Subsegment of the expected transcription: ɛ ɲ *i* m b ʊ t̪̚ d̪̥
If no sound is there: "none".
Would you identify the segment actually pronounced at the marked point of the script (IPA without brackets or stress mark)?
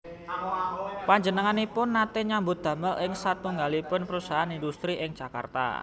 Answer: a